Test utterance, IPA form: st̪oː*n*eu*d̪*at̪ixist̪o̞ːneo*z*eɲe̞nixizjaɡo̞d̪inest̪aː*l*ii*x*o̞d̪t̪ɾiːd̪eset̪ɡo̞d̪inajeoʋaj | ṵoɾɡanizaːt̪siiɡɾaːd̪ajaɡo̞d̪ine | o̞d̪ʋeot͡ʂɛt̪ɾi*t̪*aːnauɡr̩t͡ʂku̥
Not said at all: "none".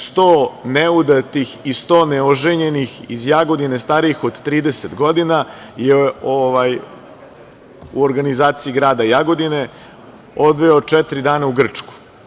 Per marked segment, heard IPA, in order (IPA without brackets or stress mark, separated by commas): n, d̪, ʒ, ɾ, x, d̪